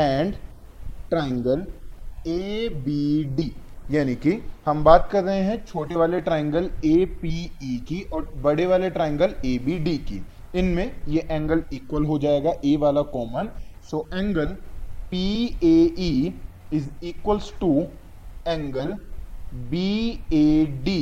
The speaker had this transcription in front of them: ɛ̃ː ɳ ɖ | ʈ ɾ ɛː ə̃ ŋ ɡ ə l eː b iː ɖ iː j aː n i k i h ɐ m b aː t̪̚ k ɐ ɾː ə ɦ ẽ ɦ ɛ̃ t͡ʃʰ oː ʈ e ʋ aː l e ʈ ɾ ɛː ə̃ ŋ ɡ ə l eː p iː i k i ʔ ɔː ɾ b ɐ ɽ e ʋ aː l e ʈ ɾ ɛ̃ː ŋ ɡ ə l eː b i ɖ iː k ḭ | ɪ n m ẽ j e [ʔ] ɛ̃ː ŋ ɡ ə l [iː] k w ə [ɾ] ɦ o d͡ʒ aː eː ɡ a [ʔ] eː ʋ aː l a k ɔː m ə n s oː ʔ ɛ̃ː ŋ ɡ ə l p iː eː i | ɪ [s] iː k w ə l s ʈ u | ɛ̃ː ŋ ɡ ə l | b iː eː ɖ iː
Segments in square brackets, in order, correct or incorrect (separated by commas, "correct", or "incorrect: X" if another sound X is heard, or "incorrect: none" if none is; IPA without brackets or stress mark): correct, correct, incorrect: l, correct, incorrect: z